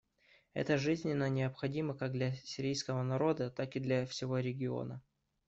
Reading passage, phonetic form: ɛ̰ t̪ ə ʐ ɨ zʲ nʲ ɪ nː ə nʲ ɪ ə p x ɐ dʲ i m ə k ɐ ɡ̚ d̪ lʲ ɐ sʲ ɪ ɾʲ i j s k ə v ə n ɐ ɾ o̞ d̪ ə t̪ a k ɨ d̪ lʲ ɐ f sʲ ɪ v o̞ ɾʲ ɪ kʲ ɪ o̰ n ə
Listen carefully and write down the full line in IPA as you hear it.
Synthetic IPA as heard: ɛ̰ t̪ ə ʐ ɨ zʲ nʲ ɪ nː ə nʲ ɪ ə p x ɐ dʲ i m ə k a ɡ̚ d̪ lʲ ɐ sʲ ɪ ɾʲ i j s k ə v ə n ɐ ɾ o̞ d̪ ə t̪ a k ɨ d̪ lʲ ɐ f sʲ ɪ v o̞ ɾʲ ɪ ɡʲ ɪ o̰ n ə